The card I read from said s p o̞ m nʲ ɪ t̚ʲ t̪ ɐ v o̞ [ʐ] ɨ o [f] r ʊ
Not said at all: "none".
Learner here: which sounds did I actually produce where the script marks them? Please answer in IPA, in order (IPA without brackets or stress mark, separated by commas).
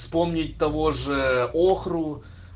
ʐ, x